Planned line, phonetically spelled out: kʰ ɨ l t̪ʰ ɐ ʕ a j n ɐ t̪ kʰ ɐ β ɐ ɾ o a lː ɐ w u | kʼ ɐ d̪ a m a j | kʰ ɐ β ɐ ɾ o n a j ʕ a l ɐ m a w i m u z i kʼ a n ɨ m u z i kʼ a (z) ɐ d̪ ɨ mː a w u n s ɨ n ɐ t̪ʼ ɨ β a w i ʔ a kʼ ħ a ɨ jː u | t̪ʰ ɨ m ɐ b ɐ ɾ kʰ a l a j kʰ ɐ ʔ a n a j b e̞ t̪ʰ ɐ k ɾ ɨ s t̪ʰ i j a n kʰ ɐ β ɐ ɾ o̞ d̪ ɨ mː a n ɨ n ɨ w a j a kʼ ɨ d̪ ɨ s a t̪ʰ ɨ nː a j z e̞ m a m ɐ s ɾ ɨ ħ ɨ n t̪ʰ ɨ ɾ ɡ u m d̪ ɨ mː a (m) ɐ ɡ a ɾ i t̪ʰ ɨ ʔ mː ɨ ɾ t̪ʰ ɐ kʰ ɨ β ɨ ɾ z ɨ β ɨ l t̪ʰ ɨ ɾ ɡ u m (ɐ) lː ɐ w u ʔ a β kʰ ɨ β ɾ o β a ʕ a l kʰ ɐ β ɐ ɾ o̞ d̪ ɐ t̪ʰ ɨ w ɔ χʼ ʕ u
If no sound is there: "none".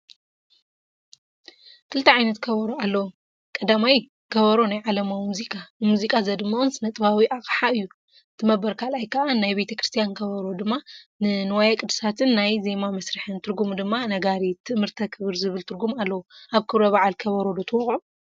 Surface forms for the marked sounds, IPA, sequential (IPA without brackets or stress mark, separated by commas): z, n, a